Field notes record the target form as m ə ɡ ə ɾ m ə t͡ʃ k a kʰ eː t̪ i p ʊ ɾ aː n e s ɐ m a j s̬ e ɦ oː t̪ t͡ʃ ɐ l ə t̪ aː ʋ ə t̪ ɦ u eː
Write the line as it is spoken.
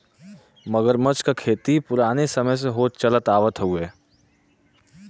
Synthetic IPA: m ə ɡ ə ɾ m ə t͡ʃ k a kʰ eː t̪ i p ʊ ɾ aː n e s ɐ m ə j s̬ e ɦ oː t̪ t͡ʃ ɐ l ə t̪ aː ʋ ə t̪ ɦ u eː

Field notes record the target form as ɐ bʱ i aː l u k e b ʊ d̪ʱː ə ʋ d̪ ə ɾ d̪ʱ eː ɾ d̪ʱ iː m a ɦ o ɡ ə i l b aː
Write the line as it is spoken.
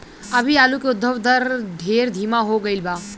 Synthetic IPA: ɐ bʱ i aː l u k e ʊ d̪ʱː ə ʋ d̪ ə ɾ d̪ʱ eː ɾ d̪ʱ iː m a ɦ o ɡ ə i l b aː

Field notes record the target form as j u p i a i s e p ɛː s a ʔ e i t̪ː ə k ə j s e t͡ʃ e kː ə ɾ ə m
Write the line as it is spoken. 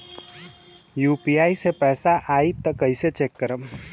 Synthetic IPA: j u p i a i s e p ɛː s a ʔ a i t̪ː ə k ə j s e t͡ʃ e kː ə ɾ ə m

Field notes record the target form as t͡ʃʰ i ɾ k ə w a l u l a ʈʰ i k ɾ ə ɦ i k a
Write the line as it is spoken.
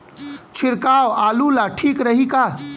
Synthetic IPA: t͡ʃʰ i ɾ k a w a l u l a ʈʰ i k ɾ ə ɦ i k a

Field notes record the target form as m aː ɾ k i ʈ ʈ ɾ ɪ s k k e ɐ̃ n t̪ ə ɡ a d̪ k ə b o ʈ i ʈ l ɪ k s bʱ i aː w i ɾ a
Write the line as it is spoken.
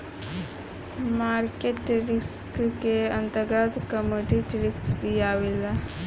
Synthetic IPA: m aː ɾ k e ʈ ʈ ɾ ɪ s k k e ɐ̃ n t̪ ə ɡ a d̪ k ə m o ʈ i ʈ ɾ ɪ k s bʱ i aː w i l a

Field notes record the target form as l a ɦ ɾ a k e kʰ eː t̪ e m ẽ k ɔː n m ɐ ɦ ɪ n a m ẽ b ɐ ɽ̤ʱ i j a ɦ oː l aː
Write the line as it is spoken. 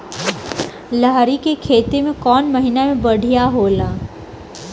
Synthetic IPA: l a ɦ ɾ i k e kʰ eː t̪ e m ẽ k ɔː n m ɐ ɦ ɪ n a m ẽ b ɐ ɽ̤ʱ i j a ɦ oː l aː

